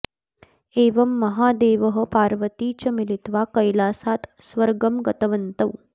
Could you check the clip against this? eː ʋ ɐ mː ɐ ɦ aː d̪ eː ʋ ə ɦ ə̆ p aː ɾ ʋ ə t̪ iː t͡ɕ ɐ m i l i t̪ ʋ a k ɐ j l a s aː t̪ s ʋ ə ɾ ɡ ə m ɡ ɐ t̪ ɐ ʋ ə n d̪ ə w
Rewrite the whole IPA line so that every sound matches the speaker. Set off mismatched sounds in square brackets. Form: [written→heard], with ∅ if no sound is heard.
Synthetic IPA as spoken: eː ʋ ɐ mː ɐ ɦ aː d̪ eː ʋ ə ɦ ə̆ p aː ɾ ʋ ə t̪ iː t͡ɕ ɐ m i l i t̪ ʋ a k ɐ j l a s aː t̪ s ʋ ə ɾ ɡ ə m ɡ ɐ t̪ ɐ ʋ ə n [d̪→t̪] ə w